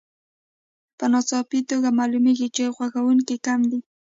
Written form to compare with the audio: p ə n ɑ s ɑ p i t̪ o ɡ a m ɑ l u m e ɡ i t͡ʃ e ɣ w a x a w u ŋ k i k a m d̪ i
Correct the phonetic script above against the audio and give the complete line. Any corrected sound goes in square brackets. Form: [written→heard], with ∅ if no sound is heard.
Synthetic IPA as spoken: p ə n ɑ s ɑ p i t̪ o ɡ a m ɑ l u m e ɡ i t͡ʃ e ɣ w a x a w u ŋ k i k a m d̪ i